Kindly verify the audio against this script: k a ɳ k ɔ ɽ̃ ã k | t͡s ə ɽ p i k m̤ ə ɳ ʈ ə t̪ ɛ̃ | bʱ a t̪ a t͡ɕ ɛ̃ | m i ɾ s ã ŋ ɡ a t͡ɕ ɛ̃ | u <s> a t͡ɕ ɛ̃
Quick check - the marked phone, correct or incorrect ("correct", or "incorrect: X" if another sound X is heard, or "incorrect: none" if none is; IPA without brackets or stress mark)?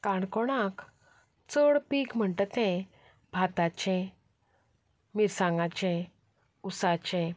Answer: correct